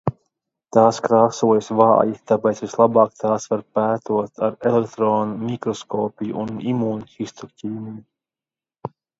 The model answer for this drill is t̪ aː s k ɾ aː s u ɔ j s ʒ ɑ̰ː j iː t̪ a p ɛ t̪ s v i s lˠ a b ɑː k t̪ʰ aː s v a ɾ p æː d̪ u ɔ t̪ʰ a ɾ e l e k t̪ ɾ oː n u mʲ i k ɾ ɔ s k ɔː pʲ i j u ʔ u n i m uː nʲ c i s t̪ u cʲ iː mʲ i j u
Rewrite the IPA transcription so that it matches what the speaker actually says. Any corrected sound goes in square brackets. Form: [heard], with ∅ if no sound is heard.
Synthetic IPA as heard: t̪ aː s k ɾ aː s u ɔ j s [v] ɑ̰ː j [i] t̪ a p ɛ t̪ s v i s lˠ a b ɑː k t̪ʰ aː s v a ɾ p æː [t̪] u ɔ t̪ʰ a ɾ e l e k t̪ ɾ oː n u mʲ i k ɾ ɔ s k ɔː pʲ i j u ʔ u n i m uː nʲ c i s t̪ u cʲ iː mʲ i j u